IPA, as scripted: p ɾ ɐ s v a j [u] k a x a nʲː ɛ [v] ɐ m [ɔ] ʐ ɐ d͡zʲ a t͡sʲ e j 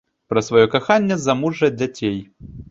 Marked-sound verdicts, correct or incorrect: incorrect, incorrect, incorrect

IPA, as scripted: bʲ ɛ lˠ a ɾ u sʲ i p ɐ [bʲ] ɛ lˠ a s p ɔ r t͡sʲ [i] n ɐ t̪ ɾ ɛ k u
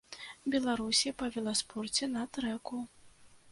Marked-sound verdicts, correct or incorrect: incorrect, incorrect

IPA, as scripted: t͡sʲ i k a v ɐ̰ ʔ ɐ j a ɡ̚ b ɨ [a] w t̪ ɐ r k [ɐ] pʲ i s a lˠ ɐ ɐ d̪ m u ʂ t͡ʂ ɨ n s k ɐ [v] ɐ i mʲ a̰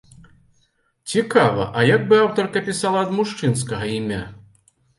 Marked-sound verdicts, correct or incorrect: correct, correct, incorrect

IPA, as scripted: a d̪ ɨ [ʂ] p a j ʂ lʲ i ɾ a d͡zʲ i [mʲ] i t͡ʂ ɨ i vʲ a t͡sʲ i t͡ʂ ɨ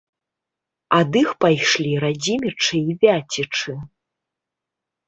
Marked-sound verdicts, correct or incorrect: incorrect, correct

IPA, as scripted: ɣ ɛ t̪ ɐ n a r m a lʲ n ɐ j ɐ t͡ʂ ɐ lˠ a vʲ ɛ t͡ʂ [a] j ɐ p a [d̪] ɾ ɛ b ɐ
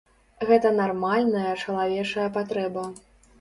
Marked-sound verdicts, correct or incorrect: incorrect, incorrect

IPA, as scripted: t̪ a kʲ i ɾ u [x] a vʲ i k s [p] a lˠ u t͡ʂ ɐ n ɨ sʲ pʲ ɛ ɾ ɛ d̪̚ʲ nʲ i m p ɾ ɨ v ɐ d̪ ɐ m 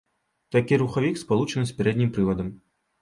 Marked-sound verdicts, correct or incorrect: correct, correct

